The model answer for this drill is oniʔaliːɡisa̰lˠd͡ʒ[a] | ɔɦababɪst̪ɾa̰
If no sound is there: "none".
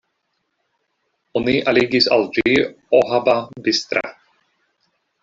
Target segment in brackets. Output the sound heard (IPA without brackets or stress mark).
i